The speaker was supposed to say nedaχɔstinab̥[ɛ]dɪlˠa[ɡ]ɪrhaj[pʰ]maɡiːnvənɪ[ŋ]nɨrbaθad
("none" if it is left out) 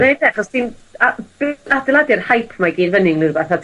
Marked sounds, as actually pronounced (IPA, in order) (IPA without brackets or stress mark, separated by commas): a, d, pʰ, ŋ